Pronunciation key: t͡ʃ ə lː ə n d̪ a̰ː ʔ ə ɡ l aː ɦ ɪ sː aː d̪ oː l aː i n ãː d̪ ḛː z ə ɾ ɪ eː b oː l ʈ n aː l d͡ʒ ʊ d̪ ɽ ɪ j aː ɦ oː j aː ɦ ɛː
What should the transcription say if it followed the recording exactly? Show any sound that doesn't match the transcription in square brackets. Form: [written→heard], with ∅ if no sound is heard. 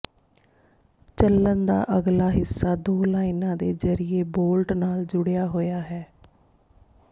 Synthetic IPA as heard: t͡ʃ ə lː ə n d̪ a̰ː ʔ ə ɡ l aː ɦ ɪ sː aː d̪ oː l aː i n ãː d̪ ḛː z ə ɾ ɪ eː b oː l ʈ n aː l d͡ʒ ʊ [d̪→∅] ɽ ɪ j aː ɦ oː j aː ɦ ɛː